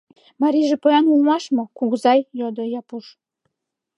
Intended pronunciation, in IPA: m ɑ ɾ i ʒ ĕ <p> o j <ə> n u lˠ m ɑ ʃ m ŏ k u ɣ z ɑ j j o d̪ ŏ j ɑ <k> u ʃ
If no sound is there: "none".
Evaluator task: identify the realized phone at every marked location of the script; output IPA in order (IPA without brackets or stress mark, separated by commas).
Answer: p, ɑ, p